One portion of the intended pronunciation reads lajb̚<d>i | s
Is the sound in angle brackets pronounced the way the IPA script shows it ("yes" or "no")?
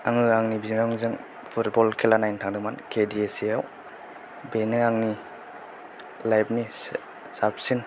no